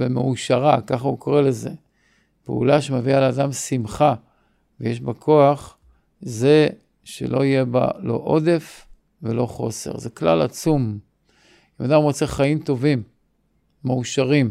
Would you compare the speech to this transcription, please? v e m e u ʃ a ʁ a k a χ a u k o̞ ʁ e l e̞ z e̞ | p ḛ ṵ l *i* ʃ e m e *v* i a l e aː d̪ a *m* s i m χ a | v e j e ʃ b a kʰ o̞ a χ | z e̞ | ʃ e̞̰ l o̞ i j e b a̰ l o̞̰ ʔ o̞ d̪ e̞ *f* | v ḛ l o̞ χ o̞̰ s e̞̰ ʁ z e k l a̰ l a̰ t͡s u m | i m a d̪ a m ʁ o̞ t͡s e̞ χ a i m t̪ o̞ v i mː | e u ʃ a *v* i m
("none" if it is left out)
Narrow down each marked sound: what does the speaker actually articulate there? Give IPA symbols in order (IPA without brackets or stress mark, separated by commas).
a, v, m, f, ʁ